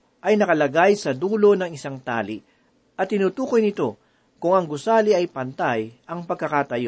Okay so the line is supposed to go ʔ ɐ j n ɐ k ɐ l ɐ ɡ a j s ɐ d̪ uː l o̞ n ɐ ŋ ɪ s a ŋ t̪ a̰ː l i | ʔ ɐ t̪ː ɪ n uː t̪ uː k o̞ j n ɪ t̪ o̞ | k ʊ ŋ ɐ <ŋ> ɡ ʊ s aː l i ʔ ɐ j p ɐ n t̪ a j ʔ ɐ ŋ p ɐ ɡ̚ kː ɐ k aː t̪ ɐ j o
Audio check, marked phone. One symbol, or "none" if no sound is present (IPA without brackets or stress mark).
ŋ